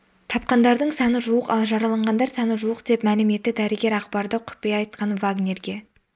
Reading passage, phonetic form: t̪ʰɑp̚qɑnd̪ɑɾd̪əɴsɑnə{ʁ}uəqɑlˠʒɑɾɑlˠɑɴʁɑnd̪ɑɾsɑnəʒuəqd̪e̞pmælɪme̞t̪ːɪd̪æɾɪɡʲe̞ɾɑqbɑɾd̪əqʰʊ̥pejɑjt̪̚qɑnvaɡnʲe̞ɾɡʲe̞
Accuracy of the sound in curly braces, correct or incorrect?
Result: incorrect: ʒ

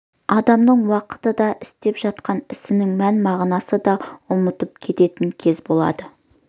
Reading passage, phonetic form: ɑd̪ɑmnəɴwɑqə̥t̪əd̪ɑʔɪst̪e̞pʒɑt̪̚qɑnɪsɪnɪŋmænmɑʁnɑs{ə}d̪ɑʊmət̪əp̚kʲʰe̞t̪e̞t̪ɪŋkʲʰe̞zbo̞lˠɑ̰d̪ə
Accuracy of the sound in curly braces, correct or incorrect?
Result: correct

